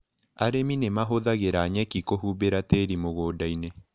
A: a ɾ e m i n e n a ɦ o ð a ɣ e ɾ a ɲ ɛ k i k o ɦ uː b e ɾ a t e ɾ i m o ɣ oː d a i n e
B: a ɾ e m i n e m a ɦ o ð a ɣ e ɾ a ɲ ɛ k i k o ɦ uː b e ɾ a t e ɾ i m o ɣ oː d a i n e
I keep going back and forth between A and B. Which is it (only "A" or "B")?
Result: B